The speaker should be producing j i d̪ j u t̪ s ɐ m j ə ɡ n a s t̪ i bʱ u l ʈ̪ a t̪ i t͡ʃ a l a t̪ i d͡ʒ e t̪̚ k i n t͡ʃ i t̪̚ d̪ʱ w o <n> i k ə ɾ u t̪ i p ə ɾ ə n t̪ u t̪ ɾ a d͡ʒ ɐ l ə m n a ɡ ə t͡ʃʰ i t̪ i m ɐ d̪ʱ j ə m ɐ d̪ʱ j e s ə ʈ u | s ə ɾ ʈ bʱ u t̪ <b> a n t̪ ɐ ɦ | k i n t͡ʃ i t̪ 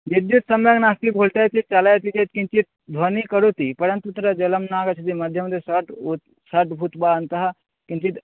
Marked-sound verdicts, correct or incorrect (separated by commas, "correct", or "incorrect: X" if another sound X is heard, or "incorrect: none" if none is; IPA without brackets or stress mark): correct, correct